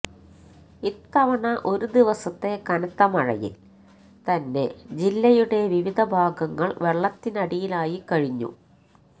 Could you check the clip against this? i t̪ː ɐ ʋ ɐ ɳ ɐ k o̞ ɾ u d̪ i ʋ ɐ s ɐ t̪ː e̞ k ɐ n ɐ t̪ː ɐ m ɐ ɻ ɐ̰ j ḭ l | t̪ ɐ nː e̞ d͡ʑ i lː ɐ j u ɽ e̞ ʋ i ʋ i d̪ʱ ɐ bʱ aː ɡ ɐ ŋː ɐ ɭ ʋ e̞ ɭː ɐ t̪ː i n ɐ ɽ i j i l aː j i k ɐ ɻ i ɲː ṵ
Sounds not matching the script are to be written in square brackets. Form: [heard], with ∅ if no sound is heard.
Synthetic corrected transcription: i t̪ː ɐ ʋ ɐ ɳ ɐ [ʔ] o̞ ɾ u d̪ i ʋ ɐ s ɐ t̪ː e̞ k ɐ n ɐ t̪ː ɐ m ɐ ɻ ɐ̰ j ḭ l | t̪ ɐ nː e̞ d͡ʑ i lː ɐ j u ɽ e̞ ʋ i ʋ i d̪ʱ ɐ bʱ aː ɡ ɐ ŋː ɐ ɭ ʋ e̞ ɭː ɐ t̪ː i n ɐ ɽ i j i l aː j i k ɐ ɻ i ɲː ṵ